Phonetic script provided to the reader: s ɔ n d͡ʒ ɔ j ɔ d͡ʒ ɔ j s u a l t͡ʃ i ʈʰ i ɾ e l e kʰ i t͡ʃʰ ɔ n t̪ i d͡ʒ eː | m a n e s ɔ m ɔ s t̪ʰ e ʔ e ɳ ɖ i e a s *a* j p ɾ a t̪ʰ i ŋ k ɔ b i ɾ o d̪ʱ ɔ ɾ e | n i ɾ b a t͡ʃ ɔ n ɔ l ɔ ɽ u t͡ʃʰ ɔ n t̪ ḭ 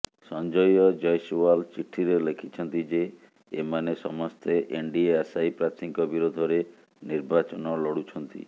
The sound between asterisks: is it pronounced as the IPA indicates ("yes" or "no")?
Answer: yes